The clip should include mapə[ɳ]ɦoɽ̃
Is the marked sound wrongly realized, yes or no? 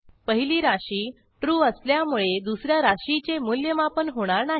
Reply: yes